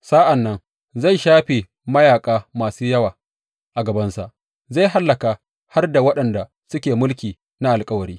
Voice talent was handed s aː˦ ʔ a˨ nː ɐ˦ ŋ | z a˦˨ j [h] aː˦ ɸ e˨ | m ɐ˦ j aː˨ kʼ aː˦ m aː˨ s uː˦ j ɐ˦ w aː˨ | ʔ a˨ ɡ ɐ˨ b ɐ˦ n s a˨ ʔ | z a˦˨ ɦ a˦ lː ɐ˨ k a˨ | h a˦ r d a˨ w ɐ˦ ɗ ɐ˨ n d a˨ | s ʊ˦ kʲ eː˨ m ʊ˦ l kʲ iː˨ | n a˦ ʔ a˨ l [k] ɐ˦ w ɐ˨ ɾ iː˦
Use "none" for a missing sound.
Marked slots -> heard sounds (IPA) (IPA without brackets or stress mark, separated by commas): ʃ, kʼ